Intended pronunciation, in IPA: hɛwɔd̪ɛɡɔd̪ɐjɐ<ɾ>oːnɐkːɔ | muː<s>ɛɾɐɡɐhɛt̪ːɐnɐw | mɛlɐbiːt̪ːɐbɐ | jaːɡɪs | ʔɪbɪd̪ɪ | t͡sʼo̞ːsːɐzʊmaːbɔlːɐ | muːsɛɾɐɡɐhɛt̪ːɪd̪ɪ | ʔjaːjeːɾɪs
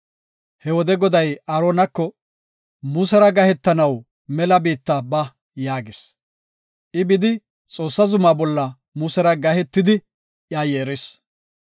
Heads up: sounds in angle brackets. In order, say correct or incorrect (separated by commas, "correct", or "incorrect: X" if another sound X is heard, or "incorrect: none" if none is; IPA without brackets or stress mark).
correct, correct